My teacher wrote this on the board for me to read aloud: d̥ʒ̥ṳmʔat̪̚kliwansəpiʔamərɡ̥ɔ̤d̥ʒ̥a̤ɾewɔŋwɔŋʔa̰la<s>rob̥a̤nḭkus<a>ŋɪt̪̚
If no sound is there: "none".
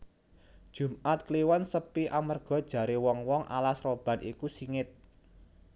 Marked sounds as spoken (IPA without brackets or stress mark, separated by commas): s, i